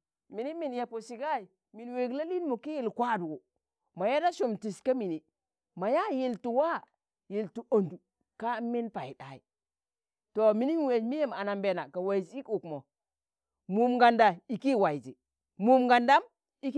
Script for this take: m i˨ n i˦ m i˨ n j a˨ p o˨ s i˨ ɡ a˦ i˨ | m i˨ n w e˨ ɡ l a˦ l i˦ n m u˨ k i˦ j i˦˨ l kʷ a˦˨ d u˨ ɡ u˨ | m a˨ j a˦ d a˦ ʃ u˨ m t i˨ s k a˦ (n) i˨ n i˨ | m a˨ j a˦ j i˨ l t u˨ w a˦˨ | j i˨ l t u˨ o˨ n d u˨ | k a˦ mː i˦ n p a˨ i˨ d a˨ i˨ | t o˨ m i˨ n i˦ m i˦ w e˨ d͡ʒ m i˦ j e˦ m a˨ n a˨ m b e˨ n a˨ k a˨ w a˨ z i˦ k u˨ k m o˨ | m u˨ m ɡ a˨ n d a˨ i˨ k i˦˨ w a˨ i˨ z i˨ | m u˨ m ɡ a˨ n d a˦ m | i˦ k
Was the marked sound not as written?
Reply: yes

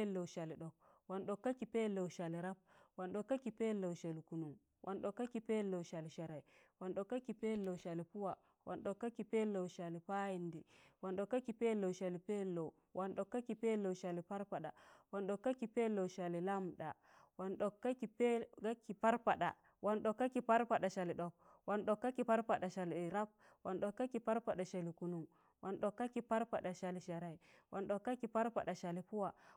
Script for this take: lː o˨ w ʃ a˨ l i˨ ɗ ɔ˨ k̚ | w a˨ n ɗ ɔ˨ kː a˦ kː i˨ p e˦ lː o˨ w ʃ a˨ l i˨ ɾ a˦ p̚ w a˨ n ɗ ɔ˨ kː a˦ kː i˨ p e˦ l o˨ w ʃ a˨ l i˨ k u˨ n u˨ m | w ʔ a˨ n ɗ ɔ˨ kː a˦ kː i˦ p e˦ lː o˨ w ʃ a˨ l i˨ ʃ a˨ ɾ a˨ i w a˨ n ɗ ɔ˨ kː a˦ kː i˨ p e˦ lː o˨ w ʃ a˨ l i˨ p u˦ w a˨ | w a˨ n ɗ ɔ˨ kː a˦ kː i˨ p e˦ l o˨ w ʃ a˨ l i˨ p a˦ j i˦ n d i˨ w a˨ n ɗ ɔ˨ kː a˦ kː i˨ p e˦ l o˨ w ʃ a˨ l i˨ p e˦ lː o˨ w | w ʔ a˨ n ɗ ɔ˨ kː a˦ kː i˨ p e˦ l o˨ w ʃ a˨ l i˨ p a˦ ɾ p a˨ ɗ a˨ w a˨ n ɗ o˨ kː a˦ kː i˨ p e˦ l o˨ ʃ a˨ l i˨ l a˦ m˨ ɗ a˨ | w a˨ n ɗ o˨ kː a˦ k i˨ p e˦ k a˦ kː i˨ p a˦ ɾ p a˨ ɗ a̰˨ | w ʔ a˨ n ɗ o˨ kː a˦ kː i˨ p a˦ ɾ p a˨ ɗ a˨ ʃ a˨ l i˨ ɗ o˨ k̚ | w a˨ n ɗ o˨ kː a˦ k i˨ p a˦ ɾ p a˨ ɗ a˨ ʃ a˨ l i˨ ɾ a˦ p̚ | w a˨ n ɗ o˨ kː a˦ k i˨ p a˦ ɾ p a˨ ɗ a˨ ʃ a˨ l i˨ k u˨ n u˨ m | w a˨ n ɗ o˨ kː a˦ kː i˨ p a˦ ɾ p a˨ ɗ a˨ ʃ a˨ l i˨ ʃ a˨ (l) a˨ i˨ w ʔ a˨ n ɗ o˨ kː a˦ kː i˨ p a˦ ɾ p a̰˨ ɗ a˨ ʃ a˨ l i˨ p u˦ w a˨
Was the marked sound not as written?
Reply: yes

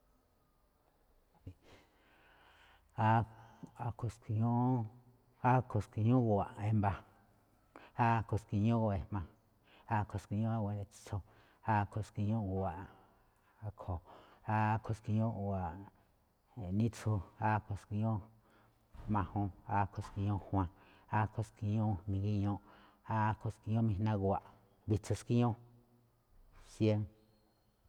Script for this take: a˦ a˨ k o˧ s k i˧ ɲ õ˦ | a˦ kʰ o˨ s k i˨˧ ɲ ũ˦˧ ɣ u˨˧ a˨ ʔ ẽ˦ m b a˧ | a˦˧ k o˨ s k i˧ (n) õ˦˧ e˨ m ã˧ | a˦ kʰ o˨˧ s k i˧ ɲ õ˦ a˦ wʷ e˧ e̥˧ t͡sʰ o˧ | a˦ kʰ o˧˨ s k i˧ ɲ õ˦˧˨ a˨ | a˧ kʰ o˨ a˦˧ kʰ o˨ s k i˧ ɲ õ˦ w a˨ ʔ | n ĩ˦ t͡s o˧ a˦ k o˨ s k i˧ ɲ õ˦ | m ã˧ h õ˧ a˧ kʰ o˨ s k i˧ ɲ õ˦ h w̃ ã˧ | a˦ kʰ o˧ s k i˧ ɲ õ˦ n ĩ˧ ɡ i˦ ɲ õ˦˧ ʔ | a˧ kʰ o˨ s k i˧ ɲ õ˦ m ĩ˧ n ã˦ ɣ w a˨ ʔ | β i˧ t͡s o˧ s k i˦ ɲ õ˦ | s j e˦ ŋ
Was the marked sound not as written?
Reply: yes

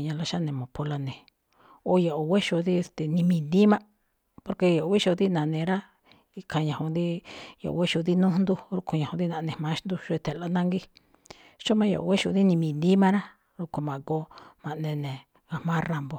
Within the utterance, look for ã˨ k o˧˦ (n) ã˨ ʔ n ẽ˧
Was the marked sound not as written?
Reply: yes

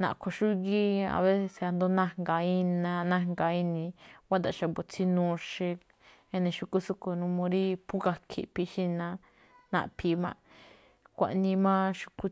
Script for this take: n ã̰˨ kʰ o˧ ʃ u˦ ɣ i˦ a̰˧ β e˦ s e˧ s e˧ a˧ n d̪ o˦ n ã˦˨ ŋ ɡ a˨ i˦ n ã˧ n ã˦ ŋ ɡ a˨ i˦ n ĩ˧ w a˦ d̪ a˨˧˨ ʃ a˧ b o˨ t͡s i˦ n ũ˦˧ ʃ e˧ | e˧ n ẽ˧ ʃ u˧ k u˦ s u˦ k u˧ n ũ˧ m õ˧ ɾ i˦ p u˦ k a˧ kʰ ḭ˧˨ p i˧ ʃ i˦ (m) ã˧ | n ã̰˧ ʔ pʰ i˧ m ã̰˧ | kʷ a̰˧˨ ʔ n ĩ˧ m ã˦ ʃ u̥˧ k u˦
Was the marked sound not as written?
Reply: yes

